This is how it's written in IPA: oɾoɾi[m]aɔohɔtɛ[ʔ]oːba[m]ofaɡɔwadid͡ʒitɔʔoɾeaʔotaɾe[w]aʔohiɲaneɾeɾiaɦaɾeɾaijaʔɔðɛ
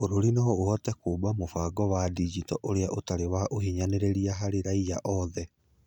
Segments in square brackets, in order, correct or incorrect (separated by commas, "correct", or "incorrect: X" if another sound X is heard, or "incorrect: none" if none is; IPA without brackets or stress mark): incorrect: n, incorrect: k, correct, correct